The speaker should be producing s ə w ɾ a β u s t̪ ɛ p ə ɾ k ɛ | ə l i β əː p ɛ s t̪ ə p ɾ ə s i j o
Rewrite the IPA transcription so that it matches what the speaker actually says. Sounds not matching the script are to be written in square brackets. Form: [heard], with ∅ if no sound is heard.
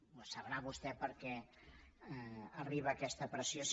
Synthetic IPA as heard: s ə [β] ɾ a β u s t̪ ɛ p ə ɾ k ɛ | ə [r] i β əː [k] ɛ s t̪ ə p ɾ ə s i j o